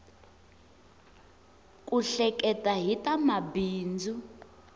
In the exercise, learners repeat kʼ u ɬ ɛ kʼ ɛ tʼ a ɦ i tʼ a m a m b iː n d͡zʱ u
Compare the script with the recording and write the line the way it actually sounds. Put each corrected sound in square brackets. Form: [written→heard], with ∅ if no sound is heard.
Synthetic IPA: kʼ u ɬ ɛ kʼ ɛ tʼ a ɦ i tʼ a m a [m→∅] b iː n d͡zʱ u

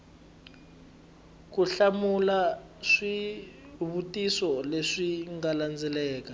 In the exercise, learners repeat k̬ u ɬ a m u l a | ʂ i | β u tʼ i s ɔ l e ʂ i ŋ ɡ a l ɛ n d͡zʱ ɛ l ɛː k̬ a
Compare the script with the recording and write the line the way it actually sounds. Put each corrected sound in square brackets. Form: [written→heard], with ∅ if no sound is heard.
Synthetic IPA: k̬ u ɬ a m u l a | ʂ i | β u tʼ i s ɔ l e ʂ i ŋ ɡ a l [ɛ→a] n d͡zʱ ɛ l ɛː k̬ a

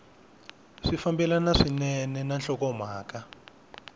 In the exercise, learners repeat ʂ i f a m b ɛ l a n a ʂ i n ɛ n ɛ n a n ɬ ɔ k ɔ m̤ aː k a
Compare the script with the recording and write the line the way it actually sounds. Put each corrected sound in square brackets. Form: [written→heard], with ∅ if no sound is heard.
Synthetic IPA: ʂ i f a m b ɛ l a n a ʂ i n ɛ n ɛ n a n ɬ ɔ k ɔ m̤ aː k a

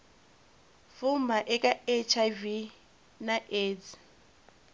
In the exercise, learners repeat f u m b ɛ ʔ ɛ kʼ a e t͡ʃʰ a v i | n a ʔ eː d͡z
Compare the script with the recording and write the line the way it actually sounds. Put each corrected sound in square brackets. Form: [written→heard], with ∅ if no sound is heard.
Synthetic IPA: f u m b [ɛ→a] ʔ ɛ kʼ a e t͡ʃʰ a v i | n a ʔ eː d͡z

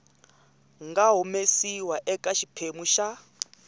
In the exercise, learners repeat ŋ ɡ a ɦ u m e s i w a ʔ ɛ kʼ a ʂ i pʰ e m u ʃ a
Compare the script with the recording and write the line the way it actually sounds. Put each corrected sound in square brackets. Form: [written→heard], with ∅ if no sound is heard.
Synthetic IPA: ŋ ɡ a ɦ u m e s i w a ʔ ɛ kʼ a [ʂ→ʃ] i pʰ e m u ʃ a

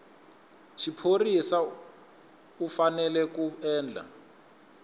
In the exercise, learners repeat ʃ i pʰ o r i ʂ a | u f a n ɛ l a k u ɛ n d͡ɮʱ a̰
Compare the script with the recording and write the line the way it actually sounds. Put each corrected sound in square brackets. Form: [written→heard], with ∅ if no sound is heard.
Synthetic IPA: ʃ i pʰ o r i [ʂ→s] a | u f a n ɛ l [a→ɛ] k u [ɛ→ɛː] n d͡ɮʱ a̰

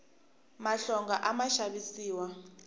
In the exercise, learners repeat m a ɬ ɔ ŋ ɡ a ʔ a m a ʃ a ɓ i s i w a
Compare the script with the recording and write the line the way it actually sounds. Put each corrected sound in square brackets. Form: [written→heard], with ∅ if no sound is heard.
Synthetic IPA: m a ɬ ɔ ŋ ɡ a ʔ a m a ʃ a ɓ i s [i→iː] w a

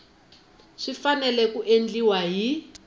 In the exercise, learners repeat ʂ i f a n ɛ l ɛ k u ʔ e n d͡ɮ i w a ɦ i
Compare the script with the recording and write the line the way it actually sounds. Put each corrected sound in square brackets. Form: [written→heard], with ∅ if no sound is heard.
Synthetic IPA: ʂ i f a n ɛ l ɛ k u ʔ e n d͡ɮ i w a ɦ i

